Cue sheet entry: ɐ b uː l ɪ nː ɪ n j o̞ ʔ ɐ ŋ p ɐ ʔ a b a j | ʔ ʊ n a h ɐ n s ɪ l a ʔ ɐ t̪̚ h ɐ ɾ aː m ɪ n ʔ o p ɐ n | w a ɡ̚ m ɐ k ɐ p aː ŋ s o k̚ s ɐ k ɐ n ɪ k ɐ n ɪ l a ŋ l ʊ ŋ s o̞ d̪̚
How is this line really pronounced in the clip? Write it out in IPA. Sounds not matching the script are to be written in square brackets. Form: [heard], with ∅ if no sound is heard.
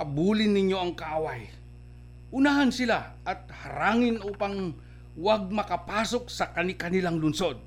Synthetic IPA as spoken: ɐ b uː l ɪ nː ɪ [ɲ] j o̞ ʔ ɐ ŋ [k] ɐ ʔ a [w] a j | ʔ ʊ n a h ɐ n s ɪ l a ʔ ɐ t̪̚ h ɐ ɾ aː [ŋ] ɪ n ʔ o p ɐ [ŋ] | w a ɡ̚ m ɐ k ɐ p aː [∅] s o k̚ s ɐ k ɐ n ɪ k ɐ n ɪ l a ŋ l ʊ [n] s o̞ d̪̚